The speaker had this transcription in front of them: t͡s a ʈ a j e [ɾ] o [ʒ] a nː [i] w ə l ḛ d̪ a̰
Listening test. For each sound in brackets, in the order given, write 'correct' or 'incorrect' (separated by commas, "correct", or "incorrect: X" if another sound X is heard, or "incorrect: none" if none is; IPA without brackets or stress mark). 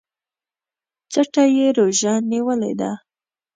correct, correct, correct